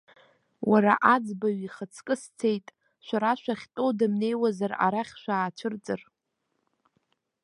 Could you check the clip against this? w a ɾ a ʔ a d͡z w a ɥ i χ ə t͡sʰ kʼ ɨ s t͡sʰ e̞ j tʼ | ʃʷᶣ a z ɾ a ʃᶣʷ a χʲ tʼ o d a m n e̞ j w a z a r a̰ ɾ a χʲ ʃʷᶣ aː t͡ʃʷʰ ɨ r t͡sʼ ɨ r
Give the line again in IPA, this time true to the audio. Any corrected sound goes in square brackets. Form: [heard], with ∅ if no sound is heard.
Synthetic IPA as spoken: w a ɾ a ʔ a d͡z [b] a ɥ i χ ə t͡sʰ kʼ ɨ s t͡sʰ e̞ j tʼ | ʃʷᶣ a [∅] ɾ a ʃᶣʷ a χʲ tʼ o d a m n e̞ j w a z a r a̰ ɾ a χʲ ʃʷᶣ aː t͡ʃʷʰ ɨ r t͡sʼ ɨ r

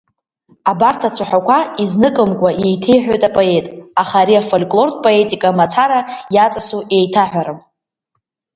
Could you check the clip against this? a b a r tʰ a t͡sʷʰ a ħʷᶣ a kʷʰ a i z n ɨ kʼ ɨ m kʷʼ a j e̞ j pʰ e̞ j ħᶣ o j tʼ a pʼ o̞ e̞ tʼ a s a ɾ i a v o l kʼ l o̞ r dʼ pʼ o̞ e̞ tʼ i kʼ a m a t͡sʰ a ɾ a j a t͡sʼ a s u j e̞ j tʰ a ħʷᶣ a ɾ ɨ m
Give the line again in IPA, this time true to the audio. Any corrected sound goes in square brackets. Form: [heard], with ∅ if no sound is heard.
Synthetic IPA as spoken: a b a r tʰ a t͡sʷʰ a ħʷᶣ a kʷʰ a i z n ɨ kʼ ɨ m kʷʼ a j e̞ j [tʰ] e̞ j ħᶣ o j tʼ a pʼ o̞ e̞ tʼ a [χ] a ɾ i a [f] o l kʼ l o̞ r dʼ pʼ o̞ e̞ tʼ i kʼ a m a t͡sʰ a ɾ a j a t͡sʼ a s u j e̞ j tʰ a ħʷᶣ a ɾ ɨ m

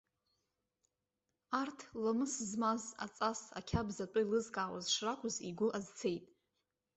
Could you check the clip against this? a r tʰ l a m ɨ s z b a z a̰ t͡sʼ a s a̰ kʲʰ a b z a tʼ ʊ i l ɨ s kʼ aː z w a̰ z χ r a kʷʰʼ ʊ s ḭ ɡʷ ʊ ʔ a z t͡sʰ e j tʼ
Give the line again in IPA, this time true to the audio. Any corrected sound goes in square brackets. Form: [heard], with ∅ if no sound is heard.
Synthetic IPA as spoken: a r tʰ l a m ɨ s z [m] a z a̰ t͡sʼ a s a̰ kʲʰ a b z a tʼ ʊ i l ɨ [z] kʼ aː [∅] w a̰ z [ʂ] r a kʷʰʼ ʊ [z] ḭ ɡʷ ʊ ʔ a z t͡sʰ e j tʼ

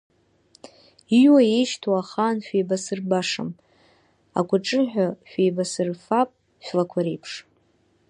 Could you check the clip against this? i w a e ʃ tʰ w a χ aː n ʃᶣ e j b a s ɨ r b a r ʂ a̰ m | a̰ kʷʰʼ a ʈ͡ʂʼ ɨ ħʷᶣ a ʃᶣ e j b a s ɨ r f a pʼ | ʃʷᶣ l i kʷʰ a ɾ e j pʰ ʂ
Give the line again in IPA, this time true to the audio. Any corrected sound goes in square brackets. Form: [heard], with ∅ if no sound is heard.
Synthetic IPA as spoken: i w a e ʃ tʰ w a χ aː n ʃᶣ e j b a s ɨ r b a [∅] ʂ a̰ m | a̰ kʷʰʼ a ʈ͡ʂʼ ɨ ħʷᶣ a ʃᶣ e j b a s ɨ r f a pʼ | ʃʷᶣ l [a] kʷʰ a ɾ e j pʰ ʂ

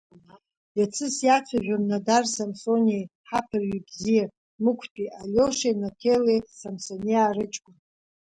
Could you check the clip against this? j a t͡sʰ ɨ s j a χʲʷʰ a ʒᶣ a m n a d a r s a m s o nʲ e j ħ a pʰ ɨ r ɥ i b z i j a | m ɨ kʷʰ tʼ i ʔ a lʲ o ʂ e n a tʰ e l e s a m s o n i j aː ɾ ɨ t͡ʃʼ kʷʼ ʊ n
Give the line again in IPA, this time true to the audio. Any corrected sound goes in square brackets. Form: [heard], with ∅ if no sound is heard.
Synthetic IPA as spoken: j a t͡sʰ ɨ s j a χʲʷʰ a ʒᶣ a m n a d a r s a m s o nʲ e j ħ a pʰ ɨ r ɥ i b z i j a | m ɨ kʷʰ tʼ i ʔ a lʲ o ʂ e n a tʰ e l e s a m s o n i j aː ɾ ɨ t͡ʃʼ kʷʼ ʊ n

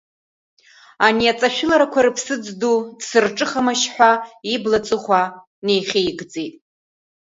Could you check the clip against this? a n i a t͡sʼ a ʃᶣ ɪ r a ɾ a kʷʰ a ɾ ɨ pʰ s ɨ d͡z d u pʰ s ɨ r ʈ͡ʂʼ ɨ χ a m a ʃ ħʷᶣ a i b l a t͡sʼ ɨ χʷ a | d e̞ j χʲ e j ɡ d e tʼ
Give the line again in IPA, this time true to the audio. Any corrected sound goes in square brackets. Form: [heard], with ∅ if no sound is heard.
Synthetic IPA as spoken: a n i a t͡sʼ a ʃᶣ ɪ [l] a ɾ a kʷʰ a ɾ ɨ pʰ s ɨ d͡z d u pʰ s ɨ r ʈ͡ʂʼ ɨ χ a m a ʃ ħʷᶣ a i b l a t͡sʼ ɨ χʷ a | [n] e̞ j χʲ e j ɡ [d͡z] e tʼ

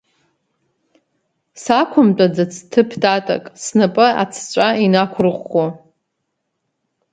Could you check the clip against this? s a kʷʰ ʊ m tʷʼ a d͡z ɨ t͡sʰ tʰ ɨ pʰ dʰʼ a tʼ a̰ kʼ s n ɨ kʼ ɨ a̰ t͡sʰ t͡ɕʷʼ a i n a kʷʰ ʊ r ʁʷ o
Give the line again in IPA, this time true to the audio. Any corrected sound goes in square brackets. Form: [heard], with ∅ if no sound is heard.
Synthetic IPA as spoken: s a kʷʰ ʊ m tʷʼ a d͡z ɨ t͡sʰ tʰ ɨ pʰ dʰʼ a tʼ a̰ kʼ s n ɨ [pʼ] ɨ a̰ t͡sʰ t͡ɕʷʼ a i n a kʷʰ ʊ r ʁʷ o

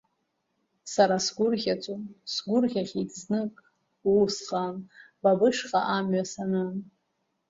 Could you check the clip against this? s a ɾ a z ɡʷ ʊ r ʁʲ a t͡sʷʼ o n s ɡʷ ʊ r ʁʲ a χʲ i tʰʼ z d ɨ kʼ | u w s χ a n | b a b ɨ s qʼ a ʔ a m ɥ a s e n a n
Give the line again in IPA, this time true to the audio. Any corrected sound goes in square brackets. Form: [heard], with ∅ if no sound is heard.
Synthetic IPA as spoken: s a ɾ a [s] ɡʷ ʊ r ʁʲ a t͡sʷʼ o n s ɡʷ ʊ r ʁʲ a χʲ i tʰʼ z [n] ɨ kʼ | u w s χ a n | b a b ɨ [ʂ] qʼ a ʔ a m ɥ a s [a] n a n

